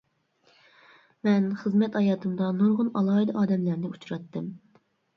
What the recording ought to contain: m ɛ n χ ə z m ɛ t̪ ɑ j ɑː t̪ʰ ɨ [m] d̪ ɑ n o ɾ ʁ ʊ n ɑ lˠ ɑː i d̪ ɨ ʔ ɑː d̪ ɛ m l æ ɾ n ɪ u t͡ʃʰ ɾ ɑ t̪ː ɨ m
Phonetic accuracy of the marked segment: correct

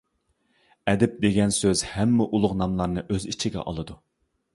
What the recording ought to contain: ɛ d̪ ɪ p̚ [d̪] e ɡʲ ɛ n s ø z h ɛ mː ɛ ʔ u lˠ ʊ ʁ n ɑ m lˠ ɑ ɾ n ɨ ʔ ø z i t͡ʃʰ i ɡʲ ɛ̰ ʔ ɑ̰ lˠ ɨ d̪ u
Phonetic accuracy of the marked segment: correct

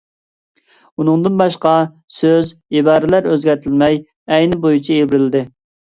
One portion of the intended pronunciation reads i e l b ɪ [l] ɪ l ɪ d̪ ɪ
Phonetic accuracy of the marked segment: incorrect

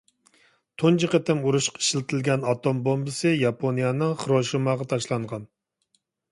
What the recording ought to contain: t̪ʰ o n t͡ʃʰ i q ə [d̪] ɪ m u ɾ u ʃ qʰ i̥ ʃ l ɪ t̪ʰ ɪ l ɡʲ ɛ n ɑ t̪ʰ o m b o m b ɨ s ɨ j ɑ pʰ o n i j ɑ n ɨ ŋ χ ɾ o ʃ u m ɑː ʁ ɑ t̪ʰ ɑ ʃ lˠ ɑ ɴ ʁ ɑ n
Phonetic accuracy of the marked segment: incorrect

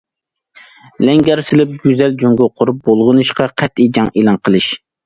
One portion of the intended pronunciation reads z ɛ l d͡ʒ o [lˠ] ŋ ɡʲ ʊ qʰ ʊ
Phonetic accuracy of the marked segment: incorrect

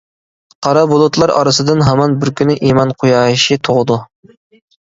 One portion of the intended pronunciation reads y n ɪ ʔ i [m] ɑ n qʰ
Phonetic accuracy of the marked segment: correct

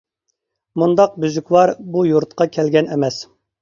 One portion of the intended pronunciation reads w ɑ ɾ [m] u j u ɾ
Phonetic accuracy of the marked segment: incorrect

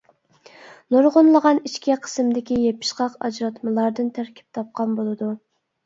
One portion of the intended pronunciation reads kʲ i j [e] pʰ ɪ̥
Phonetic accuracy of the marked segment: correct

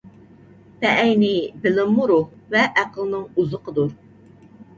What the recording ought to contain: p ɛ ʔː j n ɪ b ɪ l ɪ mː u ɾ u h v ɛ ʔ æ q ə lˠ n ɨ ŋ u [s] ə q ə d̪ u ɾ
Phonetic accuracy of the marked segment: incorrect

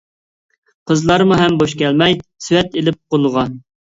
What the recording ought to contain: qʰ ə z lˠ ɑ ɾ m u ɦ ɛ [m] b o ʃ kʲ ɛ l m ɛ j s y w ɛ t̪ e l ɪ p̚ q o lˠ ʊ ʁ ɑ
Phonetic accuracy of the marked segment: correct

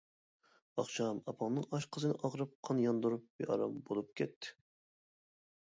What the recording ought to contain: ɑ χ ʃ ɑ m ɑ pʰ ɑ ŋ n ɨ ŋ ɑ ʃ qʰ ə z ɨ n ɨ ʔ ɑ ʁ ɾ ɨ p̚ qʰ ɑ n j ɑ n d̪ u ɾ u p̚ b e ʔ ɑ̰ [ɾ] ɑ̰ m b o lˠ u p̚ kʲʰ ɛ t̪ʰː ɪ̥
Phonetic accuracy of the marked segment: correct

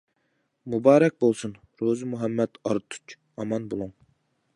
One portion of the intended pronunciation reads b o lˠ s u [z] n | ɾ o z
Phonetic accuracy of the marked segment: incorrect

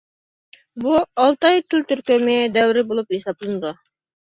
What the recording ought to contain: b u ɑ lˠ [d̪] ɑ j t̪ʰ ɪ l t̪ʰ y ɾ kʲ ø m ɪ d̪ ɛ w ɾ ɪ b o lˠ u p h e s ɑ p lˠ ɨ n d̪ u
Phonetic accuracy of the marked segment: incorrect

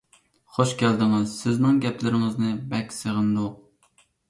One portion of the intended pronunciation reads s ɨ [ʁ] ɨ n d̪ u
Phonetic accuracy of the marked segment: correct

